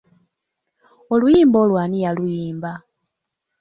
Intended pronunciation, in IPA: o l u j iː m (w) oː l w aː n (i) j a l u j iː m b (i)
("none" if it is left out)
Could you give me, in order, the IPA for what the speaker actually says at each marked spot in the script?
b, i, a

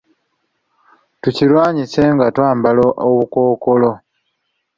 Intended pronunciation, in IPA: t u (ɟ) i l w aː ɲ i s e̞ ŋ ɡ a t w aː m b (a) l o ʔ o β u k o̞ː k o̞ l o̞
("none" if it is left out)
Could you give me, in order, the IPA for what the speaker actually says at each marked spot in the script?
c, a

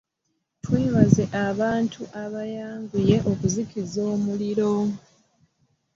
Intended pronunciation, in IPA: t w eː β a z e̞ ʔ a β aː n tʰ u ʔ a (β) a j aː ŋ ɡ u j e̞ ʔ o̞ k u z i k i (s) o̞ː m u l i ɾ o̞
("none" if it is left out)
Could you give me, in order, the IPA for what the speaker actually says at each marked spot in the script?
β, z

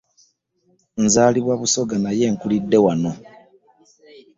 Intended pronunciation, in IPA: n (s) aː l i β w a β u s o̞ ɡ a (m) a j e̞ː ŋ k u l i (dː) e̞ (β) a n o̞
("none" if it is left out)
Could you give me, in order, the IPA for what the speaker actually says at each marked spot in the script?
z, n, dː, w

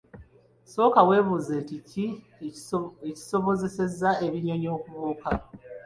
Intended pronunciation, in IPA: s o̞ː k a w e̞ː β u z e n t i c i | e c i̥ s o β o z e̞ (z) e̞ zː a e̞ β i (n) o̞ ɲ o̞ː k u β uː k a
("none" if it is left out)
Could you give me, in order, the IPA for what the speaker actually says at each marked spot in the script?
s, ɲ

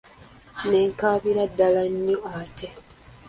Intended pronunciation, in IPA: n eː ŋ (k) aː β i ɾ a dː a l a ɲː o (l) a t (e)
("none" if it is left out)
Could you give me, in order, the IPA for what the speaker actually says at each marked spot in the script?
k, none, e

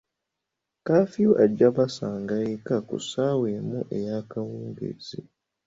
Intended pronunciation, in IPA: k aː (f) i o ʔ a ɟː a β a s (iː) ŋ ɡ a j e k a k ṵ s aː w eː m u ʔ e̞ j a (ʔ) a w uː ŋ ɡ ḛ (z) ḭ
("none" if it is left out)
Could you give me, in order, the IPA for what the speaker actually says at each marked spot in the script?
f, aː, k, z

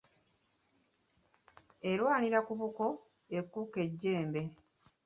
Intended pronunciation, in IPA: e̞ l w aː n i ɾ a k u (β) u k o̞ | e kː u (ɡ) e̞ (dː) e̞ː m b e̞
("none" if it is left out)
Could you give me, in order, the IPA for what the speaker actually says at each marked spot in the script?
β, k, ɟː

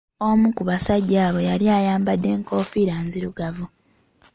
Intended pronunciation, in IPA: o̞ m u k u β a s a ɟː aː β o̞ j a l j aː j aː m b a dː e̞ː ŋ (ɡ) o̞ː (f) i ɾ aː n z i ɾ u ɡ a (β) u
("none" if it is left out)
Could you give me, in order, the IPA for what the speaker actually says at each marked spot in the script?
k, f, v

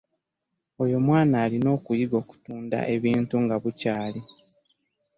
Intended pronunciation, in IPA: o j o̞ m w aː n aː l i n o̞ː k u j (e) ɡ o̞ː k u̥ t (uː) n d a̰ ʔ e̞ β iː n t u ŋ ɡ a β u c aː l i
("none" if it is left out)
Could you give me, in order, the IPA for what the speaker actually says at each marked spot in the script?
i, uː

